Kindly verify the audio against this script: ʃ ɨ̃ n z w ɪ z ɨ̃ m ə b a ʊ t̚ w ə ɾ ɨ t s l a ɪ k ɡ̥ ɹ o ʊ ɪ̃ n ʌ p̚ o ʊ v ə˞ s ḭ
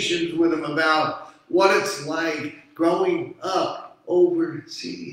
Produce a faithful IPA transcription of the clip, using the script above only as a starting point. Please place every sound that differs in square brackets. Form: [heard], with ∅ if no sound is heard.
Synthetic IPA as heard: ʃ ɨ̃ n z w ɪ [ð] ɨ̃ m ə b a ʊ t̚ w [ʌ] ɾ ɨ t s l a ɪ k ɡ̥ ɹ o ʊ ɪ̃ [ŋ] ʌ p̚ o ʊ v ə˞ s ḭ